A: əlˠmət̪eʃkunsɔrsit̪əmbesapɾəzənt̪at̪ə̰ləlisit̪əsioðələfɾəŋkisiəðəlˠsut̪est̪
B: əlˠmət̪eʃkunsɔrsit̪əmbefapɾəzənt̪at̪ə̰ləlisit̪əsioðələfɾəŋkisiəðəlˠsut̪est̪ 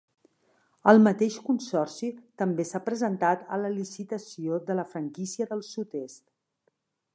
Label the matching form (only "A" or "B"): A